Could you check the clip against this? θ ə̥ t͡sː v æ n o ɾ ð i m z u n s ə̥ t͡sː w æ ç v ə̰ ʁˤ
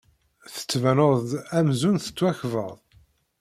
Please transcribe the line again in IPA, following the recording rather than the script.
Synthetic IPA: θ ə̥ t͡sː v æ n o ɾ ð æ m z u n θ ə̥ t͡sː w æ ç v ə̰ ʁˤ